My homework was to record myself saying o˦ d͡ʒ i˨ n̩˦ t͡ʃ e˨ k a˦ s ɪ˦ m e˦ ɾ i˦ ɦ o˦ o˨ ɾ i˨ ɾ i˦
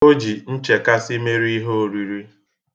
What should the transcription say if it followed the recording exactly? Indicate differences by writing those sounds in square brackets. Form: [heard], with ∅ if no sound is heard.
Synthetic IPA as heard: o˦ d͡ʒ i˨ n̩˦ t͡ʃ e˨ k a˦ s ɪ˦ m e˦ ɾ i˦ ɦ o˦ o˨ ɾ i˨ ɾ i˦